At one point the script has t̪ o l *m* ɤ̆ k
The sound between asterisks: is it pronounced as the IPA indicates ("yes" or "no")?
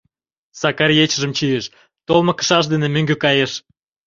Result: yes